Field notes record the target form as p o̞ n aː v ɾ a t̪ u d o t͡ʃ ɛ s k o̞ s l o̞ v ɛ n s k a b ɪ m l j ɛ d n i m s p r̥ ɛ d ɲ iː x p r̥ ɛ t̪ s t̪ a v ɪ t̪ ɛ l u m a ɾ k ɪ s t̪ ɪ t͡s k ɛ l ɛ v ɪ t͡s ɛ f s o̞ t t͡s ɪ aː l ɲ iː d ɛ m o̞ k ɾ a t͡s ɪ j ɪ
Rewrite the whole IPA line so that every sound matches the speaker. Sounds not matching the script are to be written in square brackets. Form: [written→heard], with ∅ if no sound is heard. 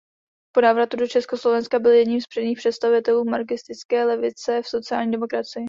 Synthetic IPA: p o̞ n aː v ɾ a t̪ u d o t͡ʃ ɛ s k o̞ s l o̞ v ɛ n s k a b ɪ [m→∅] l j ɛ d [n→ɲ] i m s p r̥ ɛ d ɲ iː x p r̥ ɛ t̪ s t̪ a v ɪ t̪ ɛ l [u→uː] m a ɾ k ɪ s t̪ ɪ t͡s k [ɛ→ɛː] l ɛ v ɪ t͡s ɛ f s o̞ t t͡s ɪ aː l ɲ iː d ɛ m o̞ k ɾ a t͡s ɪ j ɪ